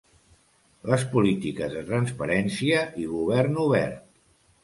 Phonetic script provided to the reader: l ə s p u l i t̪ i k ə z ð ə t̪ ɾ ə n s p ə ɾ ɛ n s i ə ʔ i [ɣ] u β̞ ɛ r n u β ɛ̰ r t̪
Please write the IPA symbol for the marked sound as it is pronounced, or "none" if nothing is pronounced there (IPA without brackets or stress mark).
ɣ